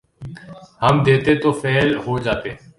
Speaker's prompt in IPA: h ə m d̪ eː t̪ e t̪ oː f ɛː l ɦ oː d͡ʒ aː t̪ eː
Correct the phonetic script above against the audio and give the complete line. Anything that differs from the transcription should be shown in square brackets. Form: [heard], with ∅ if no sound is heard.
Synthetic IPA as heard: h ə m d̪ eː t̪ e t̪ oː f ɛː l ɦ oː d͡ʒ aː t̪ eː